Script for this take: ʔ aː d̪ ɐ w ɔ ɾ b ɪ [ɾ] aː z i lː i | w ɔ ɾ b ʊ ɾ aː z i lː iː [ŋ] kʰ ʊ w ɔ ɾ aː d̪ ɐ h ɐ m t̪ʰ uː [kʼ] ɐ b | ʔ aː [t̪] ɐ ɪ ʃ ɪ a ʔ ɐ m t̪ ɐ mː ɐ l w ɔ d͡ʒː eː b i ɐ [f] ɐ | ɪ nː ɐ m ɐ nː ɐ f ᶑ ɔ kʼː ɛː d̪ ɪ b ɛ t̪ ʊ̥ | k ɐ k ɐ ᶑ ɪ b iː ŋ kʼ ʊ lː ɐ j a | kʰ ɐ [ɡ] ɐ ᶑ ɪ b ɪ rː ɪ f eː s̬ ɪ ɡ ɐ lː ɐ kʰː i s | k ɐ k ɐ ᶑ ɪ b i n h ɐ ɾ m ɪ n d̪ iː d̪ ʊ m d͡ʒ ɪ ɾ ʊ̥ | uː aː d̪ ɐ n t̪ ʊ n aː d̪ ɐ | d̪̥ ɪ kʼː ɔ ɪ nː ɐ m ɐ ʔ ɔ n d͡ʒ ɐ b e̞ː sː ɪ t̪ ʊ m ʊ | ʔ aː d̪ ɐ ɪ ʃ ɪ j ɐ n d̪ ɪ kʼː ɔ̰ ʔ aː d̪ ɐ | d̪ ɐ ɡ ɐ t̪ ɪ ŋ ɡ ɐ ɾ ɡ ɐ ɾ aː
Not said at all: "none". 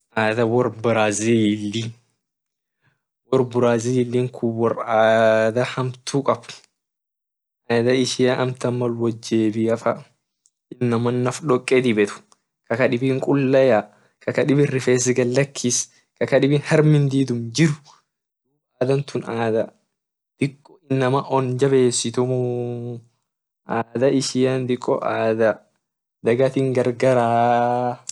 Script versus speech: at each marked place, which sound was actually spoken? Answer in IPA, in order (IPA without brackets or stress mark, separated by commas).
ɾ, ŋ, kʼ, d̪, f, k